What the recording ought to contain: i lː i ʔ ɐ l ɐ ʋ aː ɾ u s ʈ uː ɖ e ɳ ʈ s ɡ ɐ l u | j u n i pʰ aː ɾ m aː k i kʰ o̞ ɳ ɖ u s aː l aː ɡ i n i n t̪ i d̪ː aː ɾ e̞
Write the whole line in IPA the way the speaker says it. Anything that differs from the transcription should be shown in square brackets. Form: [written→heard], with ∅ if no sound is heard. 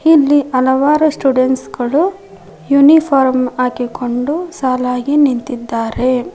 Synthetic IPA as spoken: i lː i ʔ ɐ l ɐ ʋ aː ɾ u s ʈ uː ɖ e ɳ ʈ s ɡ ɐ [l→ɭ] u | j u n i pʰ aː ɾ m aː k i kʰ o̞ ɳ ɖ u s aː l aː ɡ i n i n t̪ i d̪ː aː ɾ e̞

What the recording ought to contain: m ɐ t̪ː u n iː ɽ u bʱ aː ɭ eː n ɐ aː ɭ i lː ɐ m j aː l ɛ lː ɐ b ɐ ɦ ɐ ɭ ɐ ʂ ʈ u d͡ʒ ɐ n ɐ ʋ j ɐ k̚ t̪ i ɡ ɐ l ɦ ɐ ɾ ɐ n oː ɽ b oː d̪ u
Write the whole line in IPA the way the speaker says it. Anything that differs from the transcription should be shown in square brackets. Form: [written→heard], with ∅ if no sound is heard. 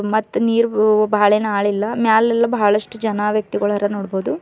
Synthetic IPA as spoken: m ɐ t̪ː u n iː [ɽ→ɾ] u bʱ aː ɭ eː n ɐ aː ɭ i lː ɐ m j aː l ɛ lː ɐ b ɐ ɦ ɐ ɭ ɐ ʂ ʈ u d͡ʒ ɐ n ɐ ʋ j ɐ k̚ t̪ i ɡ ɐ [l→ɭ] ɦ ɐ ɾ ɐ n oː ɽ b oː d̪ u

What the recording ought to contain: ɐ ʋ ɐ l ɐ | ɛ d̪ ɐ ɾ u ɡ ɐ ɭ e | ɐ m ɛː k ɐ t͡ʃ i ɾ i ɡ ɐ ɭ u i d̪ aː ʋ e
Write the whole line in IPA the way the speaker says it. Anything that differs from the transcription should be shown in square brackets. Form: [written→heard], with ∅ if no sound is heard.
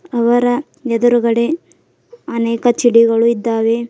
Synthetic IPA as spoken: ɐ ʋ ɐ [l→ɾ] ɐ | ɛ d̪ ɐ ɾ u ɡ ɐ [ɭ→ɽ] e | ɐ [m→n] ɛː k ɐ t͡ʃ i [ɾ→ɽ] i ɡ ɐ ɭ u i [d̪→d̪ː] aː ʋ e

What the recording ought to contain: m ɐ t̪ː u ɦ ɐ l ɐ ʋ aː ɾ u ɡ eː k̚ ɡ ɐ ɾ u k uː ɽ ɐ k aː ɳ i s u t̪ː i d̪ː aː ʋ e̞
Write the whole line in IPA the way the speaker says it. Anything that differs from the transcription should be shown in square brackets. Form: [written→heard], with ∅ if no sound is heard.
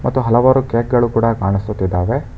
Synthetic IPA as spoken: m ɐ t̪ː u ɦ ɐ l ɐ ʋ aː ɾ u [ɡ→k] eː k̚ ɡ ɐ [ɾ→ɭ] u k uː ɽ ɐ k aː ɳ i s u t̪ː i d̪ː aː ʋ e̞

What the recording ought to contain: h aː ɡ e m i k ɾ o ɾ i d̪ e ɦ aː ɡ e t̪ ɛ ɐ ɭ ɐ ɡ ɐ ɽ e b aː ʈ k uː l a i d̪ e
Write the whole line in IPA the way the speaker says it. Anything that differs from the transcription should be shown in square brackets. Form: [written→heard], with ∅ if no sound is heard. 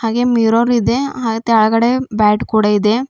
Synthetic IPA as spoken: h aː ɡ e m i [k→∅] ɾ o ɾ i d̪ e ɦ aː ɡ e t̪ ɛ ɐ ɭ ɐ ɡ ɐ ɽ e b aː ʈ k uː [l→ɽ] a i d̪ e

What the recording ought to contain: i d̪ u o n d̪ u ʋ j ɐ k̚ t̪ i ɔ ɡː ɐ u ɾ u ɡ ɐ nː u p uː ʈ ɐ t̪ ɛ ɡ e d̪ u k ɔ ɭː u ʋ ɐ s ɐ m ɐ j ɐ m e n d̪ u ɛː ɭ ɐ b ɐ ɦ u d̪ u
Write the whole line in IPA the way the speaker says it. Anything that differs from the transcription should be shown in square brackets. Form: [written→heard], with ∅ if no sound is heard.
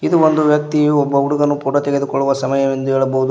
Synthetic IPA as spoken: i d̪ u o n d̪ u ʋ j ɐ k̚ t̪ i ɔ [ɡː→bː] ɐ u [ɾ→ɽ] u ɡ ɐ nː u p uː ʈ ɐ t̪ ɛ ɡ e d̪ u k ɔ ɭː u ʋ ɐ s ɐ m ɐ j ɐ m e n d̪ u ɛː ɭ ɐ b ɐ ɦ u d̪ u

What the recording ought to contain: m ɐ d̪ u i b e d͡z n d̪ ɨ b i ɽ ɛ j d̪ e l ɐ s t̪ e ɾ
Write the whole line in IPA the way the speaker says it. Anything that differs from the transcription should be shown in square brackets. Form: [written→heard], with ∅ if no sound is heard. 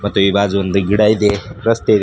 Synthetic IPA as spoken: m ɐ [d̪→t̪] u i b [e→a] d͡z n d̪ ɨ [b→ɡ] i ɽ [ɛ→a] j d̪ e [l→ɾ] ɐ s t̪ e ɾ

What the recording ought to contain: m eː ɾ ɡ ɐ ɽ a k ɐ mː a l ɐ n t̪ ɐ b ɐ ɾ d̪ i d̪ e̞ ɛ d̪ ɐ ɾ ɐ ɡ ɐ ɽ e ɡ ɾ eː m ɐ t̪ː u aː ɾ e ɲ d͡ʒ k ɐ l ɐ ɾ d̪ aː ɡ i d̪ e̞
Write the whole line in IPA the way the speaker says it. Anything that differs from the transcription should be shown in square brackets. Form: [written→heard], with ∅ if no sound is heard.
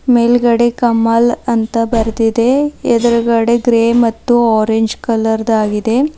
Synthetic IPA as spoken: m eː [ɾ→l] ɡ ɐ ɽ [a→e] k ɐ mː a l ɐ n t̪ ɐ b ɐ ɾ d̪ i d̪ e̞ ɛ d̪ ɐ ɾ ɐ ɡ ɐ ɽ e ɡ ɾ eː m ɐ t̪ː u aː ɾ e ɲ d͡ʒ k ɐ l ɐ ɾ d̪ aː ɡ i d̪ e̞

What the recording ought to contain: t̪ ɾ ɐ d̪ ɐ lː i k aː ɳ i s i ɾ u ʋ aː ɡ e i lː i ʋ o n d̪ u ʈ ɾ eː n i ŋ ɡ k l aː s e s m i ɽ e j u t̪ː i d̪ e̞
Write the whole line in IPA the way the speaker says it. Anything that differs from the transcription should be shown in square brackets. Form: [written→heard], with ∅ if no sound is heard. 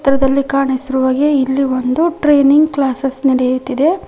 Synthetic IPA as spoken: t̪ ɾ ɐ d̪ ɐ lː i k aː ɳ i s i ɾ u ʋ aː ɡ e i lː i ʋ o n d̪ u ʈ ɾ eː n i ŋ ɡ k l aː s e s [m→n] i ɽ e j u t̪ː i d̪ e̞

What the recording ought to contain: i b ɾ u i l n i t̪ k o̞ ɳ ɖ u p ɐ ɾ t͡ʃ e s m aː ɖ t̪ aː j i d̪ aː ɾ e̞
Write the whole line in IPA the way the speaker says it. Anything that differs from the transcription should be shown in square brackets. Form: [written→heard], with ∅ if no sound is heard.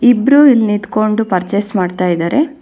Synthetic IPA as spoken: i b ɾ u i l n i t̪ k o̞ ɳ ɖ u p ɐ ɾ t͡ʃ e s m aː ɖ t̪ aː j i d̪ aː ɾ e̞

